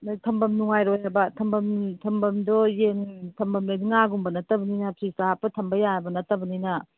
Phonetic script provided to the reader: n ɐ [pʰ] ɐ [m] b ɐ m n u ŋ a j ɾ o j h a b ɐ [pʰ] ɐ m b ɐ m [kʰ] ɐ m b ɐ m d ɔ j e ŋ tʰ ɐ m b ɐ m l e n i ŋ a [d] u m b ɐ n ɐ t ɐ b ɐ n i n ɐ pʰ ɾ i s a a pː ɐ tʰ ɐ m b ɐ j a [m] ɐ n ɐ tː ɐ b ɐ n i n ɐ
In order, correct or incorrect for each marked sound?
incorrect: tʰ, correct, incorrect: tʰ, incorrect: tʰ, incorrect: ɡ, incorrect: b

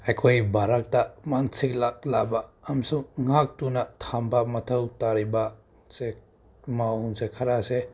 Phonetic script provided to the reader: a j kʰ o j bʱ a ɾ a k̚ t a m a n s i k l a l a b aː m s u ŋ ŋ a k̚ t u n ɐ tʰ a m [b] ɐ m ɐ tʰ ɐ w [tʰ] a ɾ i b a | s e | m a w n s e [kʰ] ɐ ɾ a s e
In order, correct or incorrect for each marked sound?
correct, incorrect: t, correct

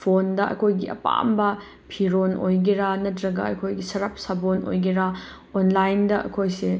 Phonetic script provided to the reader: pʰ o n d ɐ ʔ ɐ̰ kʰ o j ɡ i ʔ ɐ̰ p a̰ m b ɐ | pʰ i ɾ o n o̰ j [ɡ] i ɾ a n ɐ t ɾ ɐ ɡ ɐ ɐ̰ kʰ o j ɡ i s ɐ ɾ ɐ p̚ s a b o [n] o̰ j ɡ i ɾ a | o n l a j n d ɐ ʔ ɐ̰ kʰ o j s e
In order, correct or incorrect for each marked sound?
correct, correct

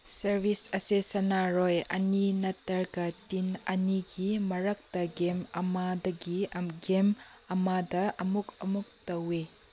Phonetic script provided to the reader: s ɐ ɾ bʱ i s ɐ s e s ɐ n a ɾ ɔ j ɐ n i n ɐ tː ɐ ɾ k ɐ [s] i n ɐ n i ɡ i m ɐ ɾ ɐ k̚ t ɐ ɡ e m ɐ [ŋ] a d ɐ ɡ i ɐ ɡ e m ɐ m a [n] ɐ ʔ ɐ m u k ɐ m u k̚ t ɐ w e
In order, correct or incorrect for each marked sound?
incorrect: t, incorrect: m, incorrect: d

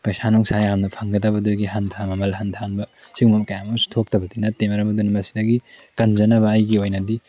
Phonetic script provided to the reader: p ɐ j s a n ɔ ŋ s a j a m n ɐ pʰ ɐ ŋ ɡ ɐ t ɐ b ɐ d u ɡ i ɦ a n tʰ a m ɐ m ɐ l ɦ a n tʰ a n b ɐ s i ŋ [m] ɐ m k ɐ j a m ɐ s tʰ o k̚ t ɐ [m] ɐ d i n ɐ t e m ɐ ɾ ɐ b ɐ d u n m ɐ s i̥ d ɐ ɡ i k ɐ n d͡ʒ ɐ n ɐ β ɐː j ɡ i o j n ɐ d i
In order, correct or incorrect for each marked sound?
correct, incorrect: b

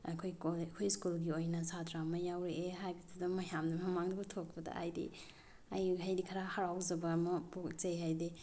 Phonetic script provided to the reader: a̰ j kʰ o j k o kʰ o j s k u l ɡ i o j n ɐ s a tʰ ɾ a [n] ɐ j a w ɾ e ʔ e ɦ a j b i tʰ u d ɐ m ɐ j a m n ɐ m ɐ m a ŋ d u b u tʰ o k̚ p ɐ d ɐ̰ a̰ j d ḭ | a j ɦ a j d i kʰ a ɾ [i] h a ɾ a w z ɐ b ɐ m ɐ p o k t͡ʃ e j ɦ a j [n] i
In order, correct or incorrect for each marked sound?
incorrect: m, incorrect: a, incorrect: d

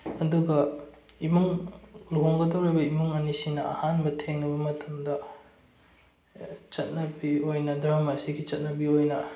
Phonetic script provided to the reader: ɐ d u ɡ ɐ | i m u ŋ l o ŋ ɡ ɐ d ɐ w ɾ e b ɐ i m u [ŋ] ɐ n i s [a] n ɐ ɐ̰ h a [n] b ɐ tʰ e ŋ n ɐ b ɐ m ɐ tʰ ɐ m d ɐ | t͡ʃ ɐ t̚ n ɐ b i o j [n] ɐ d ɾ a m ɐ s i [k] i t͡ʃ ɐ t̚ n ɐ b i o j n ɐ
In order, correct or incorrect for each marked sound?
correct, incorrect: i, correct, correct, incorrect: ɡ

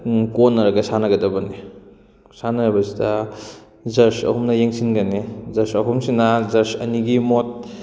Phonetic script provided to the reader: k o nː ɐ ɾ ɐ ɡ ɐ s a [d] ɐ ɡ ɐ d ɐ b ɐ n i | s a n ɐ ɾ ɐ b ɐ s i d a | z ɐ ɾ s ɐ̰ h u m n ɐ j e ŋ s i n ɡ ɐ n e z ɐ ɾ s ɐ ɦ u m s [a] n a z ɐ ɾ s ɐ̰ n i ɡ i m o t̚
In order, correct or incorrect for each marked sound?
incorrect: n, incorrect: i

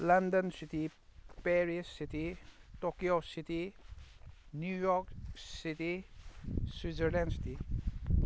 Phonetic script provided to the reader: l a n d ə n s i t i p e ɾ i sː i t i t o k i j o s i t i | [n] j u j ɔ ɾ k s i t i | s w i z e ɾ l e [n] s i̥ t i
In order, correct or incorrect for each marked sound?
correct, correct

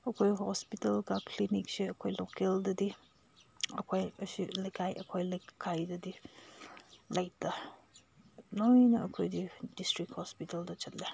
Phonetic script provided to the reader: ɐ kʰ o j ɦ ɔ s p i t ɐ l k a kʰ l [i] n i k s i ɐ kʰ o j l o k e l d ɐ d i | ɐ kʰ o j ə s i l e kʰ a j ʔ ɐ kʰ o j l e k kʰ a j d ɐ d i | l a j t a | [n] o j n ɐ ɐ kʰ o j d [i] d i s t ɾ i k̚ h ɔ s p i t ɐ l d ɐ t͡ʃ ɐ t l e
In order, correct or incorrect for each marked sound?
correct, correct, correct

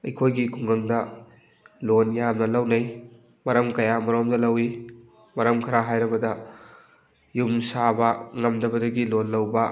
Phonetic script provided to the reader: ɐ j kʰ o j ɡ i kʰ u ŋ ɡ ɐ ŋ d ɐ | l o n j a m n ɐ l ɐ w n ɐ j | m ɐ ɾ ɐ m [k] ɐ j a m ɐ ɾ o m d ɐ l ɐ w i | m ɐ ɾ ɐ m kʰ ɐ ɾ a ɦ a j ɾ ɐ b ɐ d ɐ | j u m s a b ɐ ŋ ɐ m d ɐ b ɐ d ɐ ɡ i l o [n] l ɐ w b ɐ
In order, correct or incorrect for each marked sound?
correct, correct

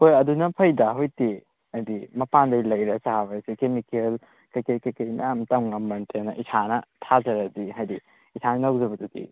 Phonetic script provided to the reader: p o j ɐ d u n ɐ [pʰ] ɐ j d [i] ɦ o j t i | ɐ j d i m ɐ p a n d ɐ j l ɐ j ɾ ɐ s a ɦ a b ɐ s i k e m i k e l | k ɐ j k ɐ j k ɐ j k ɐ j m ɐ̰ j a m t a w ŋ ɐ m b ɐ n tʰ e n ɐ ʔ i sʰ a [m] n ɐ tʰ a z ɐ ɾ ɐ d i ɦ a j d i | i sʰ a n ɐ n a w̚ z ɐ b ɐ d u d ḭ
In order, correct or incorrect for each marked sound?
correct, incorrect: a, incorrect: none

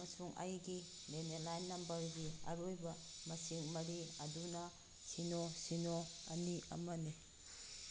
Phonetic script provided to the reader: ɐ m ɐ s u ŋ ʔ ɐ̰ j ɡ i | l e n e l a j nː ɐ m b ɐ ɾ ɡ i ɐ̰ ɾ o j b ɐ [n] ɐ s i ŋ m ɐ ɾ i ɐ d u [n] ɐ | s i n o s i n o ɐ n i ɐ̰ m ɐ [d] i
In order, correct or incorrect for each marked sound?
incorrect: m, correct, incorrect: n

